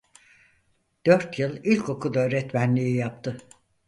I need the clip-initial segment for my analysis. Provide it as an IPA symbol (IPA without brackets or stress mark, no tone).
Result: d̪̥